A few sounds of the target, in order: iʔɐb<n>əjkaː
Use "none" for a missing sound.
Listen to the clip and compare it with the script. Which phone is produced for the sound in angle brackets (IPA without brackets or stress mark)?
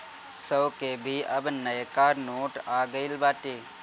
n